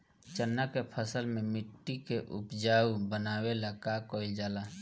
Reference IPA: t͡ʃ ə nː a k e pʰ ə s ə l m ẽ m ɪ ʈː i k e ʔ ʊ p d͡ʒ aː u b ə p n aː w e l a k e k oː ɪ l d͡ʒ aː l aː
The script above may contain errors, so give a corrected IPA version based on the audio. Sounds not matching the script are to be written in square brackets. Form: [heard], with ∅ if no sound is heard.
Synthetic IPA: t͡ʃ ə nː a k e pʰ ə s ə l m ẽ m ɪ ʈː i k e ʔ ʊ p d͡ʒ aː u b ə [∅] n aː w e l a k [a] k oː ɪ l d͡ʒ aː l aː